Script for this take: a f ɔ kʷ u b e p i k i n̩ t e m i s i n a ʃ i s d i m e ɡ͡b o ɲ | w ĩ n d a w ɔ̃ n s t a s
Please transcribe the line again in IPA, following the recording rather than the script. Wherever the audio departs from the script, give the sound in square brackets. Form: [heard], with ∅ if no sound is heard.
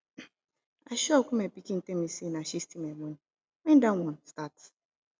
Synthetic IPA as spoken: a [ʃ] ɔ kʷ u [m] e p i k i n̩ t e m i s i n a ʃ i s [t] i m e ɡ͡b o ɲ | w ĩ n d a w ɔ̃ n s t a [t]